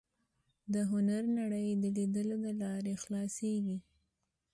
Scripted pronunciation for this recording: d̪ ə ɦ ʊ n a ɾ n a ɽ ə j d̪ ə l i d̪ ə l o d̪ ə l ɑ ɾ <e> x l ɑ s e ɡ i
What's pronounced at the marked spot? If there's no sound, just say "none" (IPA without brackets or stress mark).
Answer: e